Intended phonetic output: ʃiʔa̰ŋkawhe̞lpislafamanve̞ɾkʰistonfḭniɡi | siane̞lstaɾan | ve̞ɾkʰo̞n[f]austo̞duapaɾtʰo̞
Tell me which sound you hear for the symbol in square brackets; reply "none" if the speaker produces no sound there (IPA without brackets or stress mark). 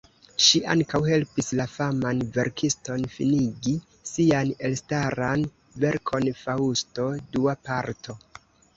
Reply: f